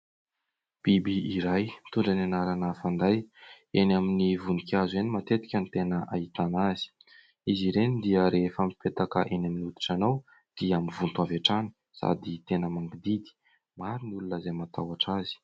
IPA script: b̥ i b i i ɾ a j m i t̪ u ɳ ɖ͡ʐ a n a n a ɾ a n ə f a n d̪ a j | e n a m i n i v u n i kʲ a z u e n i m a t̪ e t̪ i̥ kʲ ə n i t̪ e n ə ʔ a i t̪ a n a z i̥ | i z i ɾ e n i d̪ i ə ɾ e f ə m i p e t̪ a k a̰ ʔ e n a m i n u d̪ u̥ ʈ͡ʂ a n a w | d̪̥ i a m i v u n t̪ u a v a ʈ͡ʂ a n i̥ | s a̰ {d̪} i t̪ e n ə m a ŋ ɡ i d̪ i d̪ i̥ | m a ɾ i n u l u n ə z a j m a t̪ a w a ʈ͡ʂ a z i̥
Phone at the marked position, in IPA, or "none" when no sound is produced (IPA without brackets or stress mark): d̪